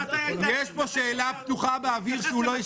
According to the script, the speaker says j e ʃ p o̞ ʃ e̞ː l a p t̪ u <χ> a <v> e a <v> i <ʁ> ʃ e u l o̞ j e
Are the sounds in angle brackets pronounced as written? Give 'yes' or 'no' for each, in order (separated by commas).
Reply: yes, no, yes, yes